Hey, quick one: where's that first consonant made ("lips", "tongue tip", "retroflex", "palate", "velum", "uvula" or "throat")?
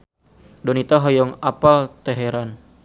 tongue tip